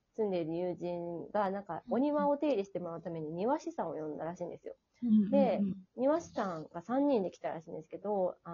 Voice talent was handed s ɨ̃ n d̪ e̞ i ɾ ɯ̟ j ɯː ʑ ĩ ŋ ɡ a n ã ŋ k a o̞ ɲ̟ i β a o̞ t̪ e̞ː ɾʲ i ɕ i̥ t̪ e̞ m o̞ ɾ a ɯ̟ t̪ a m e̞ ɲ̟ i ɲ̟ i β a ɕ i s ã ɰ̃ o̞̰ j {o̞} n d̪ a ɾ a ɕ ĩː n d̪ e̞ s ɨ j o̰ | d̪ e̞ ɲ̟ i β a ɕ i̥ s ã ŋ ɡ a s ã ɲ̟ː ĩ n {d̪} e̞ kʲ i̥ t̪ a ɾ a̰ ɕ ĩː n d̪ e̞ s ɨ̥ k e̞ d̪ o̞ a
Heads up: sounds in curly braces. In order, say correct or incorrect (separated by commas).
incorrect, correct